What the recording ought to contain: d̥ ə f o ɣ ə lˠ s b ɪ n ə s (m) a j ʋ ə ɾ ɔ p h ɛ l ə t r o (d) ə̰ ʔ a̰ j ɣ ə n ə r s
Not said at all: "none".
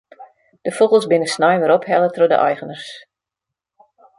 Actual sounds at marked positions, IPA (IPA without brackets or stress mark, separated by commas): n, d